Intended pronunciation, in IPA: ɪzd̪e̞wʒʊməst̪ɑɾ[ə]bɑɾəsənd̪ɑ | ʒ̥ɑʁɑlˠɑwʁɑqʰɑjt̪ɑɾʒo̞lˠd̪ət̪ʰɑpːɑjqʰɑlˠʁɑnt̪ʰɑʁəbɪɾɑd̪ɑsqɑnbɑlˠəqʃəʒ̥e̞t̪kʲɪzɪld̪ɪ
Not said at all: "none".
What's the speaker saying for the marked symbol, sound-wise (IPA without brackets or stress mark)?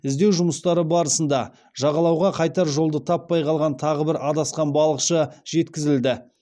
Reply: ə